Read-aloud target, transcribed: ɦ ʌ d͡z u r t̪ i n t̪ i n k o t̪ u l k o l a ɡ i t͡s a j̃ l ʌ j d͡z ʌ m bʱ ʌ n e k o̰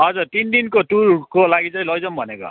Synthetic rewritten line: ɦ ʌ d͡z u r t̪ i n d̪ i n k o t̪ u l k o l a ɡ i t͡s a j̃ l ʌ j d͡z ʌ m bʱ ʌ n e k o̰